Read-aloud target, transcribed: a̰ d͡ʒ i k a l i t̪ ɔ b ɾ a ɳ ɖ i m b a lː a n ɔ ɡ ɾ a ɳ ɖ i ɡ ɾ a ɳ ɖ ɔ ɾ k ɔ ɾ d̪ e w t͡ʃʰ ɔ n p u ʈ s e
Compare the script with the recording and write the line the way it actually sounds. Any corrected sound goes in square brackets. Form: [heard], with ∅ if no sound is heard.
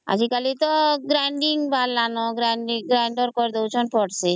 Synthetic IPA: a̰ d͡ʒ i k a l i t̪ ɔ [ɡ] ɾ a ɳ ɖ i [ŋ] b a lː a n ɔ ɡ ɾ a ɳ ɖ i ɡ ɾ a ɳ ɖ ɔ ɾ k ɔ ɾ d̪ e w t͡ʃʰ ɔ n p [ɔ] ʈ s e

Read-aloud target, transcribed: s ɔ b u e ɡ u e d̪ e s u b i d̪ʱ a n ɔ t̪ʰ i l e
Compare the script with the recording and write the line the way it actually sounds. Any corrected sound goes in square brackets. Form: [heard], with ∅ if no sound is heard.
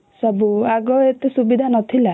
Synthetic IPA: s ɔ b u [a] ɡ [ɔ] e [t̪] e s u b i d̪ʱ a n ɔ t̪ʰ i l [a]

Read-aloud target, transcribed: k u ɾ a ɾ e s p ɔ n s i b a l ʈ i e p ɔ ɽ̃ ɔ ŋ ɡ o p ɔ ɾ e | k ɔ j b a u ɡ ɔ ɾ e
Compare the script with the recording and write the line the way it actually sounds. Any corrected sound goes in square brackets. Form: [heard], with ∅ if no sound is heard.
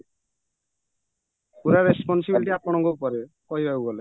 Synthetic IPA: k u ɾ a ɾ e s p ɔ n s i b [i] l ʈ i [a] p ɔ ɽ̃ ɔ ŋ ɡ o p ɔ ɾ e | k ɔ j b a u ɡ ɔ [l] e

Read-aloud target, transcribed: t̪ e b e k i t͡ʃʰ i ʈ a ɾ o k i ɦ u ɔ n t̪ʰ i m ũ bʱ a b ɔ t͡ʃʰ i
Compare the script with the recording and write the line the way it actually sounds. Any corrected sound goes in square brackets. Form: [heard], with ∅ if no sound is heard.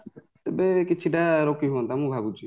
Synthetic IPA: t̪ e b e k i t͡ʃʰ i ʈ a ɾ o k i ɦ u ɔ n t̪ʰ [a] m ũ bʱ a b [u] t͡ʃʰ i

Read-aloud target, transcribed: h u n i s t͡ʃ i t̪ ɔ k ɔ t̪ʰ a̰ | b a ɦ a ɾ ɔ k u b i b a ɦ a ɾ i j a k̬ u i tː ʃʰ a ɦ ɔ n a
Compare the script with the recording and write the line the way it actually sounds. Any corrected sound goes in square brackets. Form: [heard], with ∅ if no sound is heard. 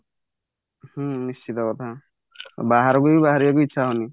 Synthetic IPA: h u n i s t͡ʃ i t̪ ɔ k ɔ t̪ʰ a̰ | b a ɦ a ɾ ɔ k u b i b a ɦ a ɾ i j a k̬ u i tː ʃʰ a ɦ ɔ n [i]

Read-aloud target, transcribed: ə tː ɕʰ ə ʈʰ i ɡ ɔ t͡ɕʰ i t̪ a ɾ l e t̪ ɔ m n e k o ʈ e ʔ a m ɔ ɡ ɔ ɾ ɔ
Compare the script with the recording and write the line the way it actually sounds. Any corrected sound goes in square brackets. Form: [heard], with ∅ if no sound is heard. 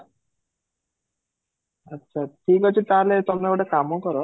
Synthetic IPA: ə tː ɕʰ [a] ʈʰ i [k] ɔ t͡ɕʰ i t̪ a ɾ l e t̪ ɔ m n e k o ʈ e [k] a m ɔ [k] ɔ ɾ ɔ

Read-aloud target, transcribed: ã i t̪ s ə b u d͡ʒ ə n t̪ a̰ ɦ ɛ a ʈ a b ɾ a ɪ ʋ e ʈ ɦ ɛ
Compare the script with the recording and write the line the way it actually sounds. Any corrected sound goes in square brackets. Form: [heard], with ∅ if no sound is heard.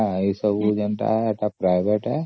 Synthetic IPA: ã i [∅] s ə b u d͡ʒ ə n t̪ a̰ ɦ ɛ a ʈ a [p] ɾ a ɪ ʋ e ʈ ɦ ɛ

